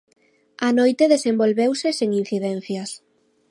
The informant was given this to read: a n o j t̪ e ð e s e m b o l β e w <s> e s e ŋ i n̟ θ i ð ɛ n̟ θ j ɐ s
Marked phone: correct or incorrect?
correct